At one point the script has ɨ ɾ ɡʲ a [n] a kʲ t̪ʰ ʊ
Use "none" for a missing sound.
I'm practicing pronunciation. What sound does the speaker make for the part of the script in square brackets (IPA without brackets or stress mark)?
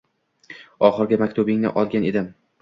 m